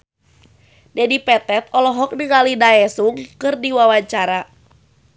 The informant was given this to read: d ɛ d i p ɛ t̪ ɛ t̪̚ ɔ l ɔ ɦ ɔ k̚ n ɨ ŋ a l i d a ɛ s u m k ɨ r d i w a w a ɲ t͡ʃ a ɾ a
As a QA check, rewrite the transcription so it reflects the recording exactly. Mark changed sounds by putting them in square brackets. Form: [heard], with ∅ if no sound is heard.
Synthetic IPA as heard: d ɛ d i p ɛ t̪ ɛ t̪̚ ɔ l ɔ ɦ ɔ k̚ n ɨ ŋ a l i d a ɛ s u [ŋ] k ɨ r d i w a w a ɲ t͡ʃ a ɾ a